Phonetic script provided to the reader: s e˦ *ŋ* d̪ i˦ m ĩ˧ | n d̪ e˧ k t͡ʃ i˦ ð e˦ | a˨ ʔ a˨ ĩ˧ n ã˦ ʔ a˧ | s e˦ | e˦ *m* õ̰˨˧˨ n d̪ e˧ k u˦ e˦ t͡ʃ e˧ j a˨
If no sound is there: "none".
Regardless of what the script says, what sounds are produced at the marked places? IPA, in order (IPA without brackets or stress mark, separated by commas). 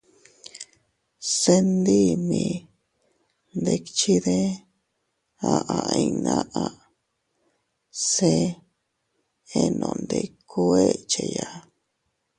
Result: n, n